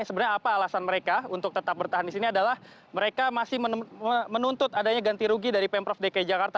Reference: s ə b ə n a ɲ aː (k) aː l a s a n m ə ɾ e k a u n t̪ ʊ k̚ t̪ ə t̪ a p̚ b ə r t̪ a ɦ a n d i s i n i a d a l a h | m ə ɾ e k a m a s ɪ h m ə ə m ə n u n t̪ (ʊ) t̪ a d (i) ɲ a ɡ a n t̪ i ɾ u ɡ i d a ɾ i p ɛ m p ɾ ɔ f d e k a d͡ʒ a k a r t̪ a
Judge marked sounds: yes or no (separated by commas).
no, yes, no